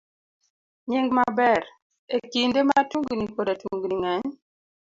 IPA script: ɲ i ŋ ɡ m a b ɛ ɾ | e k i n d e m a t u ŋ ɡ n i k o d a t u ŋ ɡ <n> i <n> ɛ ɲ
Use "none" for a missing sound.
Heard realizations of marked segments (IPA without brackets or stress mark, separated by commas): n, ŋ